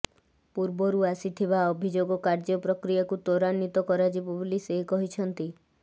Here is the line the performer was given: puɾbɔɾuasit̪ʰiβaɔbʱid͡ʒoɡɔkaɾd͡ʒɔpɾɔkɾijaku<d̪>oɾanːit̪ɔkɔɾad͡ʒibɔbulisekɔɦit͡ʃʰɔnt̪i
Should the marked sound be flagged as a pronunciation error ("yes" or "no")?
yes